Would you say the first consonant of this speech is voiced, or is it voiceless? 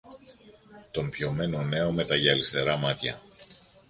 voiceless